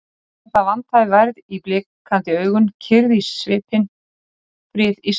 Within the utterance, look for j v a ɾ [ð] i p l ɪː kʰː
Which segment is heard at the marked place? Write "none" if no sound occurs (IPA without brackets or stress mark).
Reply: ð